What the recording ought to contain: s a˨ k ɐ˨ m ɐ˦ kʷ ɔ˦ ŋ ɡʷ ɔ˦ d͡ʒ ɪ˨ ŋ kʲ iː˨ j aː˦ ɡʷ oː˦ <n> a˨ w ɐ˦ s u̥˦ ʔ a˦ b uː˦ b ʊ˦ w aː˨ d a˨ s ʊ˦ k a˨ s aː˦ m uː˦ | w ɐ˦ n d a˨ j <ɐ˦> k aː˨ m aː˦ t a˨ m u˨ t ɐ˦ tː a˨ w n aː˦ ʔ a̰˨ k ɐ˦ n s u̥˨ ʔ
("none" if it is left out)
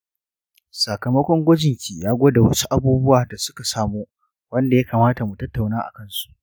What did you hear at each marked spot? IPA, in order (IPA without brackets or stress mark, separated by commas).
d, a˦